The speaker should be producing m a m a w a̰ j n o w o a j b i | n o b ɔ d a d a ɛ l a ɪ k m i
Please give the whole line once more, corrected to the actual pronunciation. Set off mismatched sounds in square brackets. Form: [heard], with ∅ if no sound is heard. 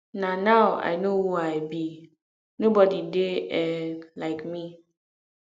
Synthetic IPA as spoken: [n] a [n] a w a̰ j n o w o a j b i | n o b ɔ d [i] d [e] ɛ l a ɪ k m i